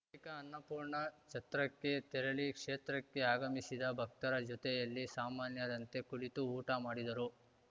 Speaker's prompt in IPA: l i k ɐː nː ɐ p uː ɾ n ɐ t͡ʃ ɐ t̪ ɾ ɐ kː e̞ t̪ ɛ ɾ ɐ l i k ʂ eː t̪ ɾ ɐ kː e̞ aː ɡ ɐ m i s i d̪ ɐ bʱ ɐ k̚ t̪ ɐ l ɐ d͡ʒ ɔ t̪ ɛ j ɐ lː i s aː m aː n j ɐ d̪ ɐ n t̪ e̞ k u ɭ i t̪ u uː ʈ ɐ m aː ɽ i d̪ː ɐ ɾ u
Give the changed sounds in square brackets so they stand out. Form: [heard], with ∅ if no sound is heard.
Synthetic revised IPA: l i k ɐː nː ɐ p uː ɾ [ɳ] ɐ t͡ʃ ɐ t̪ ɾ ɐ kː e̞ t̪ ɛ ɾ ɐ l i k ʂ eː t̪ ɾ ɐ kː e̞ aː ɡ ɐ m i s i d̪ ɐ bʱ ɐ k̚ t̪ ɐ [ɾ] ɐ d͡ʒ ɔ t̪ ɛ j ɐ lː i s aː m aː n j ɐ d̪ ɐ n t̪ e̞ k u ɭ i t̪ u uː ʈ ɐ m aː ɽ i [d̪] ɐ ɾ u